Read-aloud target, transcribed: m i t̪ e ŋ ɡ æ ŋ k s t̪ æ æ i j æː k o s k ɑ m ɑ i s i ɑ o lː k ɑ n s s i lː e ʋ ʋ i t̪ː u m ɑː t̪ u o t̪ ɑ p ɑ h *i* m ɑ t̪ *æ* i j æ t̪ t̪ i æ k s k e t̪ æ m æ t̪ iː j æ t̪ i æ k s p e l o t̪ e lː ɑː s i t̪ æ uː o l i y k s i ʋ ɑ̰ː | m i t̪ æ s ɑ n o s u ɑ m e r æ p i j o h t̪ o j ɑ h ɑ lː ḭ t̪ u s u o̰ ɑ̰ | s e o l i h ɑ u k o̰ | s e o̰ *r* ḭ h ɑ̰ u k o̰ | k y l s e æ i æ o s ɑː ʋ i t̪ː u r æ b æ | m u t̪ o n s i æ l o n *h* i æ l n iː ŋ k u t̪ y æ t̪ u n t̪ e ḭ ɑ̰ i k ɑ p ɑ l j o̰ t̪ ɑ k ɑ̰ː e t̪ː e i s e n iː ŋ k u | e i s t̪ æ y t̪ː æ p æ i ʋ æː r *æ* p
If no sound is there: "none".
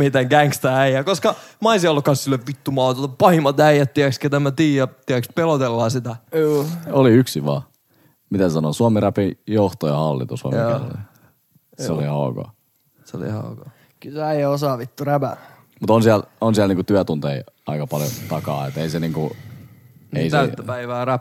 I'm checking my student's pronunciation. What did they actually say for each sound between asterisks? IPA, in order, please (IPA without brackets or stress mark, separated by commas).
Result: i, æ, l, s, æ